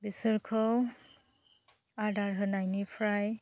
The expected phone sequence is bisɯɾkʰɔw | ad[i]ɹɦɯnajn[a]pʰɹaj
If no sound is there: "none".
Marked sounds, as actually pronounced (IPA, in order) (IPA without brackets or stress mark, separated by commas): a, i